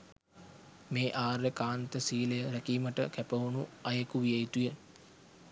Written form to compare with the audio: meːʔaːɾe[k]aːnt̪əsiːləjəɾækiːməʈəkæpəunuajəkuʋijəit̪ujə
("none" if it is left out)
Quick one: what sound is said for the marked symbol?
k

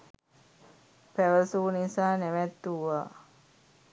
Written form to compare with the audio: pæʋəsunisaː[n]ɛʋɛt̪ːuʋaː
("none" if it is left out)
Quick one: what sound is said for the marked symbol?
n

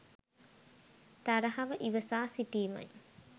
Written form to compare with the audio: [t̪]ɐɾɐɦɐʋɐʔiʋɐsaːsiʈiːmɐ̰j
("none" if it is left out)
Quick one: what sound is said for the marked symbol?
t̪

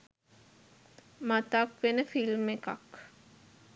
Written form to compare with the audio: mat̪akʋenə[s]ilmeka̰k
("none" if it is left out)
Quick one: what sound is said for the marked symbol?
f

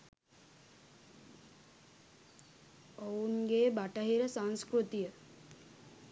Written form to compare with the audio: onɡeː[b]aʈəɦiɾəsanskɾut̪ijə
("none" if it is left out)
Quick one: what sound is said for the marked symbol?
b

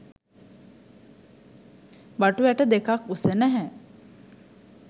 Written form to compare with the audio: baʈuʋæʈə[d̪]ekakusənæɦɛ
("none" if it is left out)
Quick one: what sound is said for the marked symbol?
d̪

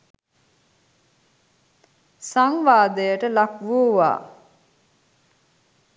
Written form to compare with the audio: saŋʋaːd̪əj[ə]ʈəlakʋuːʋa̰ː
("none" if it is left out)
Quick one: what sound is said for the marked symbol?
ə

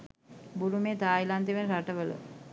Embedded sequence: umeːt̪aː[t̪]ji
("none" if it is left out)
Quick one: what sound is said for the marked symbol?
none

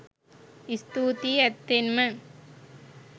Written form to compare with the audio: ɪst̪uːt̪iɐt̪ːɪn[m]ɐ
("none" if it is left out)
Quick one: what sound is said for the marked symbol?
m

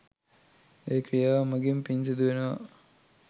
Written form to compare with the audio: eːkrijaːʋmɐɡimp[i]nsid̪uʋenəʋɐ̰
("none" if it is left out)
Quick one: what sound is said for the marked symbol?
i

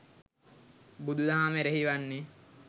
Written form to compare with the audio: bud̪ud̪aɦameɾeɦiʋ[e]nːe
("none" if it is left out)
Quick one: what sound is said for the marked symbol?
a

